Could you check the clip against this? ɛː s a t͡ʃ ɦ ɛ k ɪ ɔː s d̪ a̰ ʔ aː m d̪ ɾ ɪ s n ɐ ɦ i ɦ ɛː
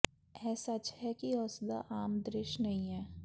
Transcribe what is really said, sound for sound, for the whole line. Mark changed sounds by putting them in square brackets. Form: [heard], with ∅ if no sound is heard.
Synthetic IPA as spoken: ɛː s a t͡ʃ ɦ ɛ k [i] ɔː s d̪ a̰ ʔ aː m d̪ ɾ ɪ [ʃ] n ɐ ɦ [ĩ] ɦ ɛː